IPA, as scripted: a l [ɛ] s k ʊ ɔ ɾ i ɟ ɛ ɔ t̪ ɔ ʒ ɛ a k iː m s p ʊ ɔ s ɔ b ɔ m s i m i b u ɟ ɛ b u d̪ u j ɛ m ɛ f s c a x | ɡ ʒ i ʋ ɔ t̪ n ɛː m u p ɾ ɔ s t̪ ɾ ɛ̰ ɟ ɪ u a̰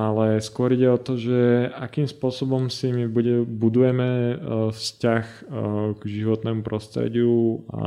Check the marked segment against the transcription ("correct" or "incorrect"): correct